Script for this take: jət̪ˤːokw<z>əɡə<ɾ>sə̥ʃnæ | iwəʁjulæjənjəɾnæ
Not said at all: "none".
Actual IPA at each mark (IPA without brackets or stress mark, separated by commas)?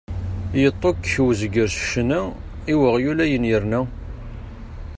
z, ɾ